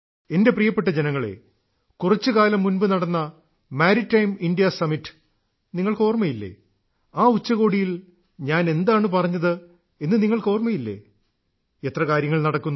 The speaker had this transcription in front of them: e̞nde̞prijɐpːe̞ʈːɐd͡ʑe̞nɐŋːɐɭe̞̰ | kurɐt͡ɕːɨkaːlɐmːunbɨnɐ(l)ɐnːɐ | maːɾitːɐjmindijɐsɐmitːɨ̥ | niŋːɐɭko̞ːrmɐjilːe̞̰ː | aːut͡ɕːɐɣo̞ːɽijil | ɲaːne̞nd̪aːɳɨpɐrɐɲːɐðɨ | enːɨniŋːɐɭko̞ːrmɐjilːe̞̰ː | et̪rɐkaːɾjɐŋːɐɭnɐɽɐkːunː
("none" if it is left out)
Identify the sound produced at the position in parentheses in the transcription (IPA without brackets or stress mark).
ɽ